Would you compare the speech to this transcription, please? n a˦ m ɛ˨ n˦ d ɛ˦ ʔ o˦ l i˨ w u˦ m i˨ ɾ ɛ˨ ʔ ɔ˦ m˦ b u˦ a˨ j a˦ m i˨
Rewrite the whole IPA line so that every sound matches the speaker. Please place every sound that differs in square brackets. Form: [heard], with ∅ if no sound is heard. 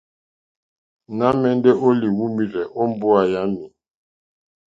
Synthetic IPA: n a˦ m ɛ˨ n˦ d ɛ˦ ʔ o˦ l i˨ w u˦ m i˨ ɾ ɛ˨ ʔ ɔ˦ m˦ b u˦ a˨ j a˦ m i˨

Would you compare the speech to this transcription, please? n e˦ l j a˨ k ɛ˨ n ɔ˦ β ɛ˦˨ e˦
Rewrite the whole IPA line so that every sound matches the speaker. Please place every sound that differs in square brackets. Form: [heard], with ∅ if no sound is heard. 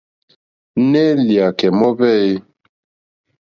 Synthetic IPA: n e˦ l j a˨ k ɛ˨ [m] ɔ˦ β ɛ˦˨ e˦

